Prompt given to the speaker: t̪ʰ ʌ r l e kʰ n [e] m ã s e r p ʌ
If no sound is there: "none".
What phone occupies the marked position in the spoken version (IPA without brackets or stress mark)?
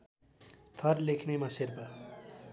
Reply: e